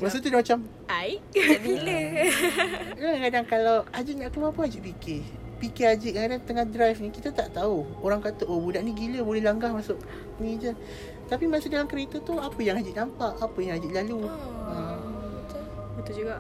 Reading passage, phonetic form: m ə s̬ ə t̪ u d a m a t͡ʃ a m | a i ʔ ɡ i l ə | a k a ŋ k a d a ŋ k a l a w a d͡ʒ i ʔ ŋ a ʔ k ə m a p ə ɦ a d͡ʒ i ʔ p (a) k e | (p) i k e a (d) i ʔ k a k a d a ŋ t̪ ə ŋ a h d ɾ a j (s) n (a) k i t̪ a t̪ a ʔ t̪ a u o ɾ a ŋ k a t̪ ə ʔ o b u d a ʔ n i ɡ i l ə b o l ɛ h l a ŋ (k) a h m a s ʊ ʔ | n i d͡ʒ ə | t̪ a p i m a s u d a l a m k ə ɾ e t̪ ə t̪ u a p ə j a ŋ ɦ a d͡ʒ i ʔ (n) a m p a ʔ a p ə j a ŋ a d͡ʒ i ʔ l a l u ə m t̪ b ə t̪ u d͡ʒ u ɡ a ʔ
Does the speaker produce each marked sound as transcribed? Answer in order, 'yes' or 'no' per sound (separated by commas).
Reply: no, yes, no, no, no, no, yes